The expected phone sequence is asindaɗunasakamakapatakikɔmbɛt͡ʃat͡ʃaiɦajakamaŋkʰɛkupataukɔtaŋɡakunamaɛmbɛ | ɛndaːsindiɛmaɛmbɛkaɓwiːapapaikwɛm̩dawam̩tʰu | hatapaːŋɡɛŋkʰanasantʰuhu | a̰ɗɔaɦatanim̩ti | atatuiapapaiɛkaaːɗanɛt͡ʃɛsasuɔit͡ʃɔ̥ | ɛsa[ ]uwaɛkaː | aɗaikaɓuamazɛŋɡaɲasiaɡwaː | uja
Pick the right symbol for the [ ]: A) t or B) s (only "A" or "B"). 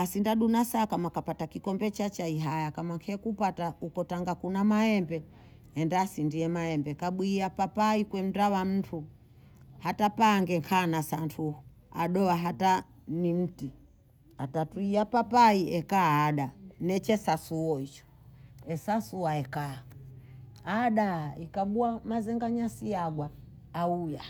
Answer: B